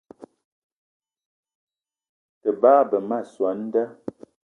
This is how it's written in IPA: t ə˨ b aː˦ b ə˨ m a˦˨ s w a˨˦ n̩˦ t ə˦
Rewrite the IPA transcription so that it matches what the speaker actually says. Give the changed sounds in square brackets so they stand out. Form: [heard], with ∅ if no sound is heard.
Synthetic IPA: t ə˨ b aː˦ b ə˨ m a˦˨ s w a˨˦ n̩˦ [d] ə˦